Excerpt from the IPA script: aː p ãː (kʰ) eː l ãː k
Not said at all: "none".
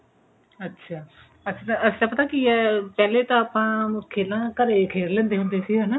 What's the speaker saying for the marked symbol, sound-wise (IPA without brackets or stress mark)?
kʰ